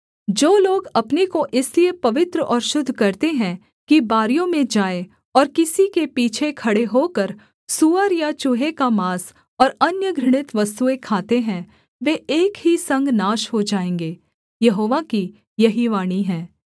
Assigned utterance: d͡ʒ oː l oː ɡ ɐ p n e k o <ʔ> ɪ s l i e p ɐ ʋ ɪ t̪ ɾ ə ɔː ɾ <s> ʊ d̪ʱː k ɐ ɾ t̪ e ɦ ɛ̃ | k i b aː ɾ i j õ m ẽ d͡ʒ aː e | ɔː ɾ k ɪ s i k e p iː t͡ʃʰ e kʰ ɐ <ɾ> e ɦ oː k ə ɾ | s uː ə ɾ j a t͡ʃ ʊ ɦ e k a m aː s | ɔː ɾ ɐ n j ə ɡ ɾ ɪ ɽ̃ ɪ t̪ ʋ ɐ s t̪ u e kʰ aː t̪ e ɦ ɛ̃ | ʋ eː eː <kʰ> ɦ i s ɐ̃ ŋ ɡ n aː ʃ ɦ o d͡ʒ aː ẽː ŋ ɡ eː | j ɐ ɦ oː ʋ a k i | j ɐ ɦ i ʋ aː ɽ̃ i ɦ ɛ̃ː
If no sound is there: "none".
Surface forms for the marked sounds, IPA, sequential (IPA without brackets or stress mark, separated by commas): ʔ, ʃ, ɽ, k